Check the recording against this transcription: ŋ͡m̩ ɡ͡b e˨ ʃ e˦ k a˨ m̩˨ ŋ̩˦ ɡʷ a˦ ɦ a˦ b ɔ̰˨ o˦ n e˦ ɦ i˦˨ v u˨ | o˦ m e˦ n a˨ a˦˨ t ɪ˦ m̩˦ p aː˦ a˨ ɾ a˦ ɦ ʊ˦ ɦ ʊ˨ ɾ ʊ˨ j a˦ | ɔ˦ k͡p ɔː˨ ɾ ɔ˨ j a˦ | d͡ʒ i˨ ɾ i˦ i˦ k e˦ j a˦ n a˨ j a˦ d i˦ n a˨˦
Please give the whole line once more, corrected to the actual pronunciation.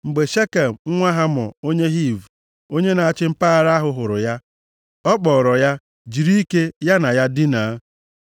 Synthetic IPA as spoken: ŋ͡m̩ ɡ͡b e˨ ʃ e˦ k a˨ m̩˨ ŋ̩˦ ŋʷ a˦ ɦ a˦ m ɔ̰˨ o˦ ɲ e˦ ɦ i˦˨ v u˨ | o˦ ɲ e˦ n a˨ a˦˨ t͡ʃ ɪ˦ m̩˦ p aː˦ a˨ ɾ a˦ ɦ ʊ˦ ɦ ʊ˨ ɾ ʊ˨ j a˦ | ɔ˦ k͡p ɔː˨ ɾ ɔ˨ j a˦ | d͡ʒ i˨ ɾ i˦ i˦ k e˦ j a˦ n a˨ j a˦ d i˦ n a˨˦